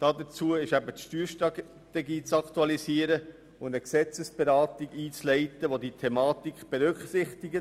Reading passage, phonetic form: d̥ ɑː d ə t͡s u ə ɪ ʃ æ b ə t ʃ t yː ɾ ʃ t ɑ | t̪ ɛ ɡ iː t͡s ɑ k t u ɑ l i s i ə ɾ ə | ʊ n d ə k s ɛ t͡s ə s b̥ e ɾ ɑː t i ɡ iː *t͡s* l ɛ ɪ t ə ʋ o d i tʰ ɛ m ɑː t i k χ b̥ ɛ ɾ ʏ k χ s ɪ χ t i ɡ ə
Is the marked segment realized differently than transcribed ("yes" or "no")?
no